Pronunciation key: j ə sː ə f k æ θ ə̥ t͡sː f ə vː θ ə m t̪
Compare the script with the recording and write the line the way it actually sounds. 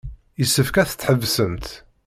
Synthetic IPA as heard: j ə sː ə f k æ θ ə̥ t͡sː ħ ə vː s ə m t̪

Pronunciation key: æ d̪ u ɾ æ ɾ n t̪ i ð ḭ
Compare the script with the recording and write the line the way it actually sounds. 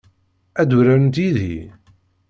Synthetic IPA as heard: æ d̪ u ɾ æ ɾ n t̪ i ð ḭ

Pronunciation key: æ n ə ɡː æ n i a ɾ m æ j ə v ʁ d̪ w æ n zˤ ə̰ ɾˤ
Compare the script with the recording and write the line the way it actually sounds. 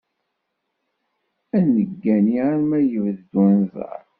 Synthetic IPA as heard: æ n ə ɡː æ n i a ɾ m æ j ə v ð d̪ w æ n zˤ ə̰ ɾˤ

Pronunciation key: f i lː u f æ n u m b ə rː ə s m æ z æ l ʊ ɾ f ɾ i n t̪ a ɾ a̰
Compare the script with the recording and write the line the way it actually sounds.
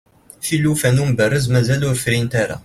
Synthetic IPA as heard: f i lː u f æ n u m b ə rː ə z m æ z æ l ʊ ɾ f ɾ i n t̪ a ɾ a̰

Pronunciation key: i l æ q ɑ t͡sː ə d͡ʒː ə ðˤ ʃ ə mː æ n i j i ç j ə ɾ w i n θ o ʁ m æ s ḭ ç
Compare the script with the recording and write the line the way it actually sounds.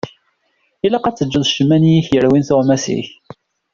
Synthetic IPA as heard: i l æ q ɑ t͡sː ə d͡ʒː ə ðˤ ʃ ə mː æ n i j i ç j ə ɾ w i n θ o ʁ m æ s ḭ ç

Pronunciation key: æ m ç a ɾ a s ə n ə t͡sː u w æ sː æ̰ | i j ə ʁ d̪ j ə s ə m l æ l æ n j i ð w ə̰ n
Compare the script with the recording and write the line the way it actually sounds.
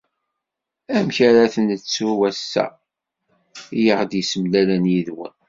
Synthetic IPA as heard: æ m ç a ɾ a θ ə n ə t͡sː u w æ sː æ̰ | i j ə ʁ d̪ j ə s ə m l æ l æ n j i ð w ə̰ n

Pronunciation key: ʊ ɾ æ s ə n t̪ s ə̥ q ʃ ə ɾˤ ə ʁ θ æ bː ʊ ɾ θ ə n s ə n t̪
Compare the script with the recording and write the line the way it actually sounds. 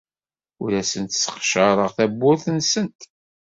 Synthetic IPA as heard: ʊ ɾ æ s ə n t̪ s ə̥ q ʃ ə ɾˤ ə ʁ θ æ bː ʊ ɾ θ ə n s ə n t̪

